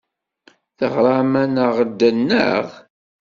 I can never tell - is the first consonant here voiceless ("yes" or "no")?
yes